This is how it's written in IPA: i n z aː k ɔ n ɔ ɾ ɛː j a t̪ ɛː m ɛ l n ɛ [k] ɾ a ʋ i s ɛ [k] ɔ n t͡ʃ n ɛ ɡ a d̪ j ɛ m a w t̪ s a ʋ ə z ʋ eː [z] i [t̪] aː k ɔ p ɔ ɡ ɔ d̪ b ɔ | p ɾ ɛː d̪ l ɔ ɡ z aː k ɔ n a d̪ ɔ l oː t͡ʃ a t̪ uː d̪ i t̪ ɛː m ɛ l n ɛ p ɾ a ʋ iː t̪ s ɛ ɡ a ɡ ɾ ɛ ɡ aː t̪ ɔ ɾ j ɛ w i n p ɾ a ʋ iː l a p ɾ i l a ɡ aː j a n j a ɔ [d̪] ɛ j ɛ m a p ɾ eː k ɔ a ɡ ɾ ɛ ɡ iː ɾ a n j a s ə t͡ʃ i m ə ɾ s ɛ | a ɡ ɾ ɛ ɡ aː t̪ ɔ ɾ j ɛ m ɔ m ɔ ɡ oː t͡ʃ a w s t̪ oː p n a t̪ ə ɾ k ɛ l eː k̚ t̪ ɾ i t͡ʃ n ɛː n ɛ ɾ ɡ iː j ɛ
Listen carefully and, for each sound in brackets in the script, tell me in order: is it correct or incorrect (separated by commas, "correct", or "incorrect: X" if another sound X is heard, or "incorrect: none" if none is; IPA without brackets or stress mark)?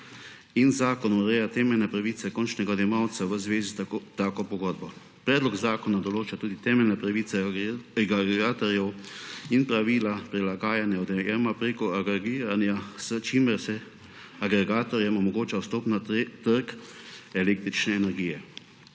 incorrect: p, correct, correct, correct, correct